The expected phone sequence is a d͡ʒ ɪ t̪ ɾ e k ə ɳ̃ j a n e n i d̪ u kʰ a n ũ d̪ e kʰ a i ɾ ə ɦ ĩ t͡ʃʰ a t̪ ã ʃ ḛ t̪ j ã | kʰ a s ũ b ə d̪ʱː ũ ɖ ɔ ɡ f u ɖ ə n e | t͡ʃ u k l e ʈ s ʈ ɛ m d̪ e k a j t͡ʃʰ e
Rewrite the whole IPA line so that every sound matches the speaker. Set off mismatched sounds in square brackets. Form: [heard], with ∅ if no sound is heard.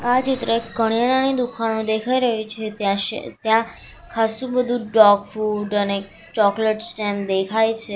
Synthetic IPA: a d͡ʒ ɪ t̪ ɾ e k ə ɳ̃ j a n [a] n i d̪ u kʰ a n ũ d̪ e kʰ a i ɾ ə ɦ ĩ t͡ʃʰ [e] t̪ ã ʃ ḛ t̪ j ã | kʰ a s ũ b ə [d̪ʱ] ũ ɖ ɔ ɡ f u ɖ ə n e | t͡ʃ [ɔ] k l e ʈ s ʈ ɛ m d̪ e [kʰ] a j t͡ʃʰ e